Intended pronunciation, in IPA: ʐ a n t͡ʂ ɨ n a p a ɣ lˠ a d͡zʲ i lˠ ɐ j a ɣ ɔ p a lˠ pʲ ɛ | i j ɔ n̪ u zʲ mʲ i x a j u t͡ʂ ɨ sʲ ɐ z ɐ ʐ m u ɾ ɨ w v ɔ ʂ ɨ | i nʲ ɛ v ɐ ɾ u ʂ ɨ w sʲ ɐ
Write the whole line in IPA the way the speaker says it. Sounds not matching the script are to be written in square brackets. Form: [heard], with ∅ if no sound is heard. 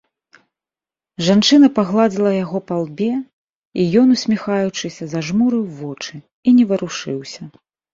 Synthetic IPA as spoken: ʐ a n t͡ʂ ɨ n [ɐ] p a ɣ lˠ a d͡zʲ i lˠ ɐ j a ɣ ɔ p a lˠ [bʲ] ɛ | i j ɔ n̪ u [sʲ] mʲ i x a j u t͡ʂ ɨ sʲ ɐ z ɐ ʐ m u ɾ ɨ w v ɔ [t͡ʂ] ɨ | i nʲ ɛ v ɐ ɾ u ʂ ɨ w sʲ ɐ

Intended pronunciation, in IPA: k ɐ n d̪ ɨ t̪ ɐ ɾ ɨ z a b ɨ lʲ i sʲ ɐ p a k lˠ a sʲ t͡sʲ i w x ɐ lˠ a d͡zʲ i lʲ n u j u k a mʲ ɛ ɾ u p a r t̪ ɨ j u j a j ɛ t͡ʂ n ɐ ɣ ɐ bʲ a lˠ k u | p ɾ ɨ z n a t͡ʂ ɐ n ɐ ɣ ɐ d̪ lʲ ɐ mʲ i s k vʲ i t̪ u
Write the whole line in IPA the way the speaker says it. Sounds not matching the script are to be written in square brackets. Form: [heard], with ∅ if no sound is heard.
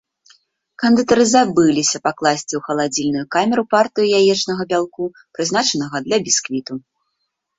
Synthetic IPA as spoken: k ɐ n d̪ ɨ t̪ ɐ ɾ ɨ z a b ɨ lʲ i sʲ ɐ p a k lˠ a sʲ t͡sʲ i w x ɐ lˠ a d͡zʲ i lʲ n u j u k a mʲ ɛ ɾ u p a r t̪ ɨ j u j a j ɛ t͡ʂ n ɐ ɣ ɐ bʲ a lˠ k u | p ɾ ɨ z n a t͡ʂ ɐ n ɐ ɣ ɐ d̪ lʲ ɐ [bʲ] i s k vʲ i t̪ u

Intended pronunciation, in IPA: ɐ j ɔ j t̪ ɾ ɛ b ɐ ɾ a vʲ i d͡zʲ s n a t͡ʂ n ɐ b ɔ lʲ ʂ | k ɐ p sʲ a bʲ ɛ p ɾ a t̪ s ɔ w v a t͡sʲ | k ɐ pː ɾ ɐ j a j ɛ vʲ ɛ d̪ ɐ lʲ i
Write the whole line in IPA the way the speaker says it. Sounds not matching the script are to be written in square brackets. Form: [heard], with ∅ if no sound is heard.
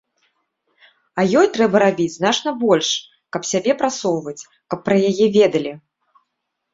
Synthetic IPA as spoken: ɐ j ɔ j t̪ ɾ ɛ b ɐ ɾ a [bʲ] i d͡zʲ [z] n a t͡ʂ n ɐ b ɔ lʲ ʂ | k ɐ p sʲ a bʲ ɛ p ɾ a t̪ s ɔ w v [ɐ] t͡sʲ | k ɐ pː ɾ ɐ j a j ɛ vʲ ɛ d̪ ɐ lʲ i

